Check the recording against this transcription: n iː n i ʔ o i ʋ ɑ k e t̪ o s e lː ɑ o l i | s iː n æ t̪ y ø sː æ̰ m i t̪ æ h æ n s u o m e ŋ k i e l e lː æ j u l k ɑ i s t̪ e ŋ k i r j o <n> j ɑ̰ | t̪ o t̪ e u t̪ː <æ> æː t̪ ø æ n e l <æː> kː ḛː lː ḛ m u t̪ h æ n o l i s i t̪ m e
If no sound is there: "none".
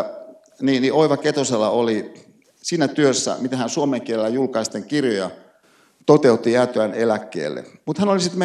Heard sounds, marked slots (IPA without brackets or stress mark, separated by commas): none, i, æ